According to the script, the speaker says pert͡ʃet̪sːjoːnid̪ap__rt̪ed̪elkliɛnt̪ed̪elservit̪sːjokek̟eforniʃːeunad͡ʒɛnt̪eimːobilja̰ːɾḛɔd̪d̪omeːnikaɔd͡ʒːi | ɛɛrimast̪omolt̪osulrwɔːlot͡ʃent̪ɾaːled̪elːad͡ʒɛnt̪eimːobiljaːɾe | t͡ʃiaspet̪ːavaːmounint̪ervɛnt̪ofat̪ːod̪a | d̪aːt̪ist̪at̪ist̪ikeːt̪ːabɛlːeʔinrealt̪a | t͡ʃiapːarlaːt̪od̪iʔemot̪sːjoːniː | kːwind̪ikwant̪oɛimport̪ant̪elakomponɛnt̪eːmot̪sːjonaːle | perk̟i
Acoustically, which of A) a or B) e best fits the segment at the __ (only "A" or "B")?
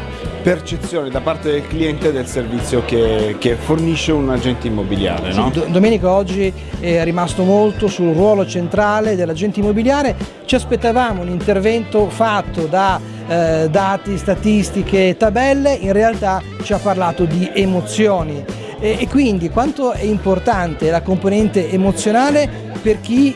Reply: A